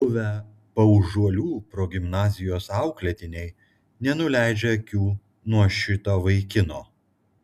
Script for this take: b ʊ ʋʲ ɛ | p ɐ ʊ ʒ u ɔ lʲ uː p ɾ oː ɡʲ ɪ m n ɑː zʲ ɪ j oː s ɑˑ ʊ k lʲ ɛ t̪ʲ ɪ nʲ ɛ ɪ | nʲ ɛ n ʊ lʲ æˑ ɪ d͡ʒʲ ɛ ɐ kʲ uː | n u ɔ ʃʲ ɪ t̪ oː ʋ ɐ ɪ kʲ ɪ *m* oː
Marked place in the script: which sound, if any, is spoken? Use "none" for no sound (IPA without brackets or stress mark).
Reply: n